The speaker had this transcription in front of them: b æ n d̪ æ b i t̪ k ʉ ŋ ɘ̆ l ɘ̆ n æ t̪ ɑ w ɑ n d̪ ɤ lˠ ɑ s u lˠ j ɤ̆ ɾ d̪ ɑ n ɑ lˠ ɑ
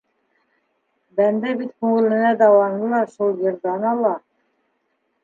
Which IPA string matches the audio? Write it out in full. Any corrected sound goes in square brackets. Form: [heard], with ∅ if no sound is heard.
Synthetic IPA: b æ n d̪ æ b i t̪ k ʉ ŋ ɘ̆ l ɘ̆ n æ [d̪] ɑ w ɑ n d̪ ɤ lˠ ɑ [ʃ] u lˠ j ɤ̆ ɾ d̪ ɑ n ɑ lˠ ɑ